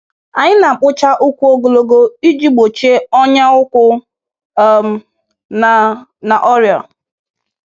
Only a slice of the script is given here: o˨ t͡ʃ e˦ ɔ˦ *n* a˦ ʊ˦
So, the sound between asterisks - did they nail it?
no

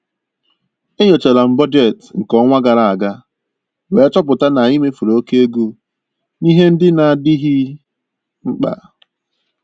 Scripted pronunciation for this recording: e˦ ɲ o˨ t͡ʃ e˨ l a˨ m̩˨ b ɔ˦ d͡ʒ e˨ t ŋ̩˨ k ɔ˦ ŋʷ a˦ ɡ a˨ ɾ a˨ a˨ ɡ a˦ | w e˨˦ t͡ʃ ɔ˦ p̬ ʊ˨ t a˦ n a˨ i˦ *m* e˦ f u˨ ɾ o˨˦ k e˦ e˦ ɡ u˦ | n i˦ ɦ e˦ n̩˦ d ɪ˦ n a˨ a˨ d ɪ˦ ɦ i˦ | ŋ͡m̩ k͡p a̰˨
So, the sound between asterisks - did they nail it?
yes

